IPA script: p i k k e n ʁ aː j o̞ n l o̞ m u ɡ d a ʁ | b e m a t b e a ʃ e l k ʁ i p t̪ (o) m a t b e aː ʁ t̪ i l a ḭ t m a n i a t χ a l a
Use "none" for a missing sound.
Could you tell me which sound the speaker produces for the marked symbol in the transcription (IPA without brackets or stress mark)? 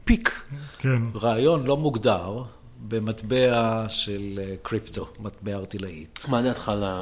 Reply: o